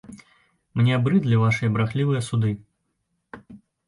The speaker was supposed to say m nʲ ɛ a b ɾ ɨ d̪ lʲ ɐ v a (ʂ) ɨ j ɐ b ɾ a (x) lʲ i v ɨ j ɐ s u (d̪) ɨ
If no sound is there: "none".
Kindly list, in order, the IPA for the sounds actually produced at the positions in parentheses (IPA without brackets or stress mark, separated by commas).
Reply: ʂ, x, d̪